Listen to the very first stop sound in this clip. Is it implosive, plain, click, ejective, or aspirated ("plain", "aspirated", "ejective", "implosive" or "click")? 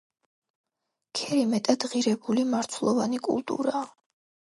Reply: aspirated